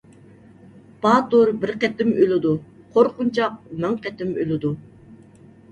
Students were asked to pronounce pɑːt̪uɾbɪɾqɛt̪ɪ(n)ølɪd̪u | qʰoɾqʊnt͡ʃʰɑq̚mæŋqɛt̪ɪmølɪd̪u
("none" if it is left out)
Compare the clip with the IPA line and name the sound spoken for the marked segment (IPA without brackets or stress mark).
m